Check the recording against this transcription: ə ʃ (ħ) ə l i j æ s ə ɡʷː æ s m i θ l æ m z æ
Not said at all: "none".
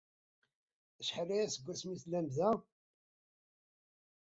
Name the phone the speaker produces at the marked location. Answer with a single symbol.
ħ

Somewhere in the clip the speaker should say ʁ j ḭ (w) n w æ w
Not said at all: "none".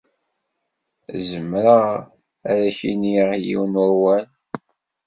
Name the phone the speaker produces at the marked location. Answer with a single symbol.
w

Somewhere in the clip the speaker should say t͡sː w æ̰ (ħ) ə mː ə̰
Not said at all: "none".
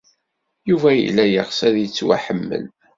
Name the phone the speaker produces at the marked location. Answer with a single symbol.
ħ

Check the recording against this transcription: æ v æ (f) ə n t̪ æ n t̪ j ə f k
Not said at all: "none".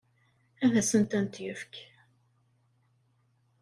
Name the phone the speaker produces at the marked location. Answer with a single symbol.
s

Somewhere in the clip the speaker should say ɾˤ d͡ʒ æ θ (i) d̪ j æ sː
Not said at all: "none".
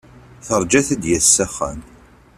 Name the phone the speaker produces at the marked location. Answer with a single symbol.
æ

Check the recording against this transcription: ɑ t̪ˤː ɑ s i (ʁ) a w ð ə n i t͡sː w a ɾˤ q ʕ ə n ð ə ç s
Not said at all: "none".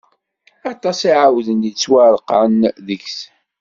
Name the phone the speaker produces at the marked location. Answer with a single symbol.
ʕ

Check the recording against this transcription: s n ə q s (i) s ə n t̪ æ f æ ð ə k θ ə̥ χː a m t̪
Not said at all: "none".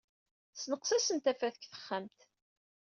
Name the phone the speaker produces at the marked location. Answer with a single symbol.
æ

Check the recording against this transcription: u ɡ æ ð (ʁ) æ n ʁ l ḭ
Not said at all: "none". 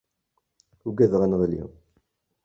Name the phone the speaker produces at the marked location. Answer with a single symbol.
ʁ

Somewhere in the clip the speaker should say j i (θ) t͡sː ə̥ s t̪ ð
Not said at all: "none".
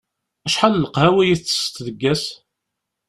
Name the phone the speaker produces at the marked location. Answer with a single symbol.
θ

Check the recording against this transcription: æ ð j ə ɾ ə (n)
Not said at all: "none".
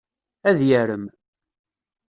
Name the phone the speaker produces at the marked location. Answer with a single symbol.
m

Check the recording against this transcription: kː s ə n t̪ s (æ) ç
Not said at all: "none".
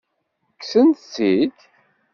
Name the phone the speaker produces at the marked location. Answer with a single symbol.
i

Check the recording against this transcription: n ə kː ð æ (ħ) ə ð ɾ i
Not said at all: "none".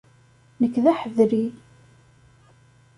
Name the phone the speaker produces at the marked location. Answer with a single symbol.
ħ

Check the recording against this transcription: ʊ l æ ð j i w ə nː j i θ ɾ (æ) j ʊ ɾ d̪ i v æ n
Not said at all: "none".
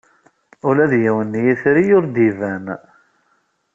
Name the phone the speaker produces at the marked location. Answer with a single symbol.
i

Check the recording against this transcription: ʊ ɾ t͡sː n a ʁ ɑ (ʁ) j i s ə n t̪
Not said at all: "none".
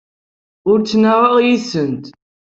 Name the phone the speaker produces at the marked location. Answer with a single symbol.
ʁ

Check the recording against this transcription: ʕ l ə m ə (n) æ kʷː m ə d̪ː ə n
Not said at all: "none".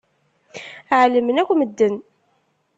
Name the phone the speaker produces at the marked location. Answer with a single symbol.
n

